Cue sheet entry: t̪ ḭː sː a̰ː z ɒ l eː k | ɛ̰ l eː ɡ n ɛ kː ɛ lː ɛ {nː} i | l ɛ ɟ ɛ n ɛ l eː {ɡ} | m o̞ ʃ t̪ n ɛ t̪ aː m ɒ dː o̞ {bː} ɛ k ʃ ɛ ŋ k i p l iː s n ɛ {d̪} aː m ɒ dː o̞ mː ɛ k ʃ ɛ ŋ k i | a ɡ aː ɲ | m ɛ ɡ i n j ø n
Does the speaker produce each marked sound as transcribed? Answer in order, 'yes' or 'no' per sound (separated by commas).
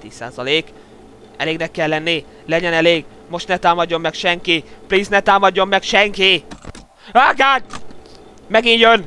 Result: yes, yes, no, no